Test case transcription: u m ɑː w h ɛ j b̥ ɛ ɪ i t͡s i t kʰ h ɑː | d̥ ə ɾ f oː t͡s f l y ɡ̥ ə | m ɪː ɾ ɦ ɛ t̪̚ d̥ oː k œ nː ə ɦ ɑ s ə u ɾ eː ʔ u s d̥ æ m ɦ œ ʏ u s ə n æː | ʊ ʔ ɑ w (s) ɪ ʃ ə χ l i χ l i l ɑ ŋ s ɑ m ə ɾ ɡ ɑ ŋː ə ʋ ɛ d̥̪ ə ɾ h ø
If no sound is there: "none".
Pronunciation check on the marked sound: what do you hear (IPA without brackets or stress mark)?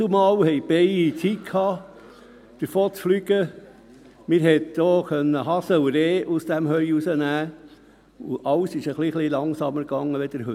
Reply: s